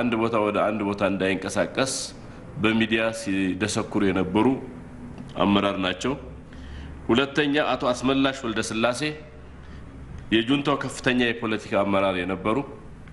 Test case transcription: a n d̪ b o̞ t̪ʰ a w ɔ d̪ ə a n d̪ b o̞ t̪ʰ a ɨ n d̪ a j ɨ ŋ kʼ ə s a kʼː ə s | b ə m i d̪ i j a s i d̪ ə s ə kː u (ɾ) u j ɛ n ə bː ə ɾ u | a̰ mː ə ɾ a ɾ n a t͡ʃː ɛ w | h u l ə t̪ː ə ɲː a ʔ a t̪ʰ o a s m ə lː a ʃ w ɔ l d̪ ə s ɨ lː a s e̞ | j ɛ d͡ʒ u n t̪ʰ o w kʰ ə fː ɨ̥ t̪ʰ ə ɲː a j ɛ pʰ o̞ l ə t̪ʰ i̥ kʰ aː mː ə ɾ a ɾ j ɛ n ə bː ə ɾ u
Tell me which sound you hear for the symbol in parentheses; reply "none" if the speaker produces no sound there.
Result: ɾ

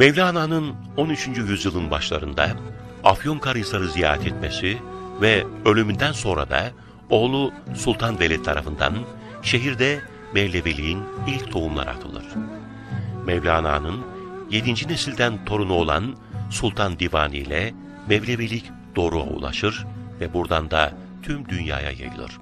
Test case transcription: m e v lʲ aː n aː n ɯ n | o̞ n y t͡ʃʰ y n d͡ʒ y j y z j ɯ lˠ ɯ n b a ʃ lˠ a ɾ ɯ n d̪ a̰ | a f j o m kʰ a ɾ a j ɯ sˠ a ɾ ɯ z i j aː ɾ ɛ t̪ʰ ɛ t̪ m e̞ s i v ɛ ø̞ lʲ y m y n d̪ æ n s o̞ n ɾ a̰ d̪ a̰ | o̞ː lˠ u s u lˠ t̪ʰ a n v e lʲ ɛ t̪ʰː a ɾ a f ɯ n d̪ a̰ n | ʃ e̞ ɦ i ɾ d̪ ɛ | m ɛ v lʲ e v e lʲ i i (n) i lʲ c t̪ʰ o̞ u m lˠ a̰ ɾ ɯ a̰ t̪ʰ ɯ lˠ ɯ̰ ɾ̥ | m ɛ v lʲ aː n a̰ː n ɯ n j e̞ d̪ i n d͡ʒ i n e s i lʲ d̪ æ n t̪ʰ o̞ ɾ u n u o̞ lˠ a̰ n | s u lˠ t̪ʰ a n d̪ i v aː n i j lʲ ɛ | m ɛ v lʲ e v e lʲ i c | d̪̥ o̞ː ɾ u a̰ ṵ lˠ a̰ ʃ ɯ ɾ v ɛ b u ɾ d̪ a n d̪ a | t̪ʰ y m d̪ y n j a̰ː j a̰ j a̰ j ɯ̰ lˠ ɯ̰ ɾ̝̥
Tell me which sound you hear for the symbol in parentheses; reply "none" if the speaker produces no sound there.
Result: n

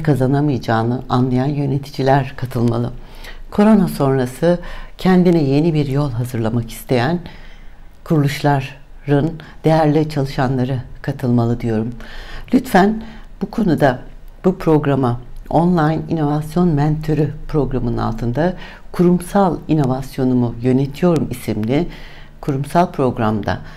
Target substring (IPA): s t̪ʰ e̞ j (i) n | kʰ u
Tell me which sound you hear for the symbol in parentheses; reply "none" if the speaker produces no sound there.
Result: æ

